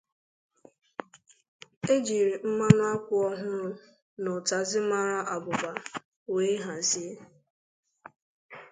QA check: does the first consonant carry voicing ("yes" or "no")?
yes